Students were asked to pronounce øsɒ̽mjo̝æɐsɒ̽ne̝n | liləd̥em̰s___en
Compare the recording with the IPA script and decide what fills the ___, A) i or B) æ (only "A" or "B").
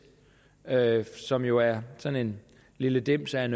B